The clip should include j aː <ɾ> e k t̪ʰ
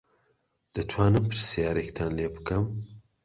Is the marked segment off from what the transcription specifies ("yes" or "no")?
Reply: no